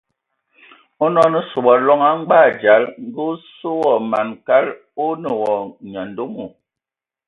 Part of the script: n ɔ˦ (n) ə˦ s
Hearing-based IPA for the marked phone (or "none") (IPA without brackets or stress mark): n